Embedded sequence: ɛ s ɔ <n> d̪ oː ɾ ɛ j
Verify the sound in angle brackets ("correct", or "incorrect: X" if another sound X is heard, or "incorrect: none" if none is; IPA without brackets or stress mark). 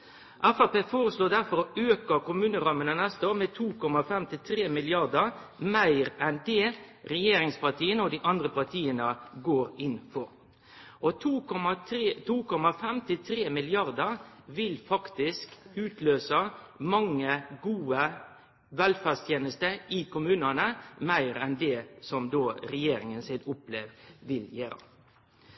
incorrect: m